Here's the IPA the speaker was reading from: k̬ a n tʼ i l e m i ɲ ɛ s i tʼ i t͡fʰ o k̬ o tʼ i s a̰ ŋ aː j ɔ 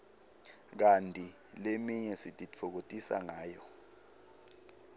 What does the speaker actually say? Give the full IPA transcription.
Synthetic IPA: k̬ a n tʼ i l e m i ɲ ɛ s i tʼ i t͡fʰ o k̬ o tʼ i s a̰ ŋ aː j ɔ